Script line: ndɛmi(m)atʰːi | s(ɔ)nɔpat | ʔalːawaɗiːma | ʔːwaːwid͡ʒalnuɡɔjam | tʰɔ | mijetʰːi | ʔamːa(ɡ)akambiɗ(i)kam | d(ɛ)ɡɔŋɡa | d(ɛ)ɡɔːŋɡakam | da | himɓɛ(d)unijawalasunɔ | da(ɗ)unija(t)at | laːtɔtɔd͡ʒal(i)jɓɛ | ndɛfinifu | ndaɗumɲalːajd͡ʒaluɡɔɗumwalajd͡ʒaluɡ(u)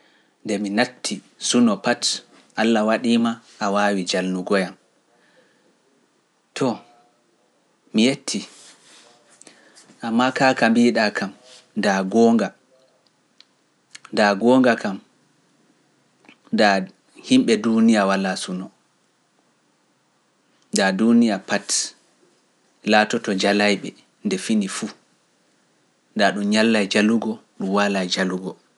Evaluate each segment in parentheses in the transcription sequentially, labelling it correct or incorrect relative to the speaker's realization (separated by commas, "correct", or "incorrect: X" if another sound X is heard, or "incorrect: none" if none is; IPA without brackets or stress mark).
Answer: incorrect: n, incorrect: u, incorrect: k, incorrect: a, incorrect: a, incorrect: a, correct, incorrect: d, incorrect: p, incorrect: a, incorrect: ɔ